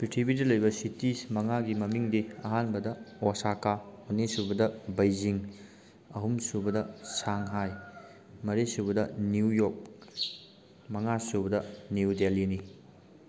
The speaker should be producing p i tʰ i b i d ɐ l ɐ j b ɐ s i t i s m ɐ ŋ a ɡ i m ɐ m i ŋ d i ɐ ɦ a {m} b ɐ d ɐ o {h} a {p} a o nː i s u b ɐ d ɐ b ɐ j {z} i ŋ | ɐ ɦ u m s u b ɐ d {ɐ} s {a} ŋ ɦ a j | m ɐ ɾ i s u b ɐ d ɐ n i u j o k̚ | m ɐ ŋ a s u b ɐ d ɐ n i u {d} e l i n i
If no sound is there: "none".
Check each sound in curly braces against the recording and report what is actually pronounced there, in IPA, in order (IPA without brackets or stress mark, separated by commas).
n, s, k, z, ɐ, a, d